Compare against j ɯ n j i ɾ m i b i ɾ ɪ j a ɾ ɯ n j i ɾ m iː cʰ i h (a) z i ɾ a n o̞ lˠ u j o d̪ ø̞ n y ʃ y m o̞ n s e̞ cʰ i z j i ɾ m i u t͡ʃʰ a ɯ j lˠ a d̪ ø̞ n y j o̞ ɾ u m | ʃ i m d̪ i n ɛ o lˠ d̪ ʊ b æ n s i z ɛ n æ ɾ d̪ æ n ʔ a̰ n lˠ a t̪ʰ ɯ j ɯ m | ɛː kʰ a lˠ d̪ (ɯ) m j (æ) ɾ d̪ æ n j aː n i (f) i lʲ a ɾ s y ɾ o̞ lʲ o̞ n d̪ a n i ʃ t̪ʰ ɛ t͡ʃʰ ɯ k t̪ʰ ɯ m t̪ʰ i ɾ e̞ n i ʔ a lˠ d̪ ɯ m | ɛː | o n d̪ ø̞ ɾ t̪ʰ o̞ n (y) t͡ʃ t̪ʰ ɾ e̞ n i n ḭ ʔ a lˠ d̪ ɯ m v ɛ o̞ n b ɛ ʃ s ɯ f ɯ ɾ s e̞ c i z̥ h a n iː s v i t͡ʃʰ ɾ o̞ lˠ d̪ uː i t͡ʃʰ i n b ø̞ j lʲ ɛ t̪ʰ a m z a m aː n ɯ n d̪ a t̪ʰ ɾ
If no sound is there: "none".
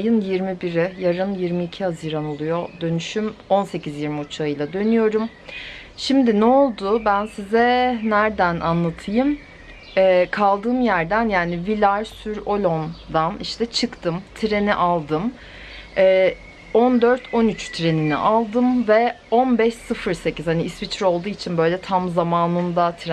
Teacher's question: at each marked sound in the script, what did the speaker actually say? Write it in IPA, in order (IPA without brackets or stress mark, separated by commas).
a, ɯː, æ, v, y